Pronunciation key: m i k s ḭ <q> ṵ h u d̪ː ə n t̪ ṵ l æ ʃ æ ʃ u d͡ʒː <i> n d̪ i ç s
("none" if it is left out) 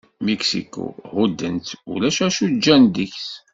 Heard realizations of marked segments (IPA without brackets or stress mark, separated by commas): k, æ